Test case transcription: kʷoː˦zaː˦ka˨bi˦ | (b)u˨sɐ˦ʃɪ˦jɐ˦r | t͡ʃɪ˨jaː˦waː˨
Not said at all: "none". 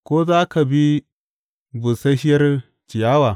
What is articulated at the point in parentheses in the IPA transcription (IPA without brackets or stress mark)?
b